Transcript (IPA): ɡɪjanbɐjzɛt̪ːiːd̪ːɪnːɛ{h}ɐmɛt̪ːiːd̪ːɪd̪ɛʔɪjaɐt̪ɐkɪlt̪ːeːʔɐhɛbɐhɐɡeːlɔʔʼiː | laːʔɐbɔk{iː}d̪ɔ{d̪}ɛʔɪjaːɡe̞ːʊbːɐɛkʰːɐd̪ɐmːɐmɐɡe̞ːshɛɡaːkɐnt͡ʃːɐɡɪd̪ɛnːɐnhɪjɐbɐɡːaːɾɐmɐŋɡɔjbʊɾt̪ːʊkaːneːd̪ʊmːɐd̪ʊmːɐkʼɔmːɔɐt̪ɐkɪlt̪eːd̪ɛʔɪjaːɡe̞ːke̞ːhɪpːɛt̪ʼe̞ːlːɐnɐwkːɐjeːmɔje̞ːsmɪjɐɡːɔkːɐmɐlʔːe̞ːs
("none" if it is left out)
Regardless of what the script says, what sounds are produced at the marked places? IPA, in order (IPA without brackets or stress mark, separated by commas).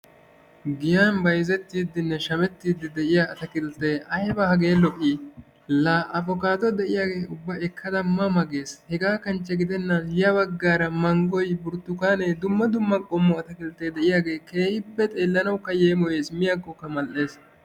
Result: ʃ, aː, d̪